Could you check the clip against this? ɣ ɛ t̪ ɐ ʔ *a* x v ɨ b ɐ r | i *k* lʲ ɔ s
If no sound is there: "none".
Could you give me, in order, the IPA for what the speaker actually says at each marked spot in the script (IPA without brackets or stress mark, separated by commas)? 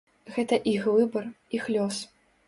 i, x